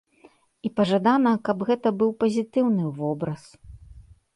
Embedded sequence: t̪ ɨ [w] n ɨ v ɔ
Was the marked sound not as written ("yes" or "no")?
no